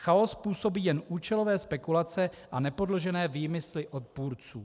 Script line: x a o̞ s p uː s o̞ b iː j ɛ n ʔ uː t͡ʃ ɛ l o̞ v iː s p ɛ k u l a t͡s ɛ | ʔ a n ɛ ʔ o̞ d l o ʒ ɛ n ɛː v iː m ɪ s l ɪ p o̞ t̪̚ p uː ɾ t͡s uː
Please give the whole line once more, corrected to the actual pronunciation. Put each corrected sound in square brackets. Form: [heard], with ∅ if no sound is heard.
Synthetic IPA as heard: x a o̞ s p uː s o̞ b iː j ɛ n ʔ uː t͡ʃ ɛ l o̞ v [ɛː] s p ɛ k u l a t͡s ɛ | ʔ a n ɛ [p] o̞ d l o ʒ ɛ n ɛː v iː m ɪ s l ɪ [ʔ] o̞ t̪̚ p uː ɾ t͡s uː